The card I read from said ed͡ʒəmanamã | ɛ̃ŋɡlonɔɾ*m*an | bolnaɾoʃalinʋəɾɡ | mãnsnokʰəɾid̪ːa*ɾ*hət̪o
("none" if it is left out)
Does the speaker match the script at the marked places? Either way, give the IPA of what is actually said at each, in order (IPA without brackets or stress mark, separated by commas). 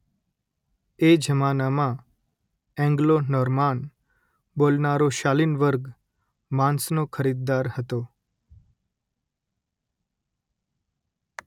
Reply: m, ɾ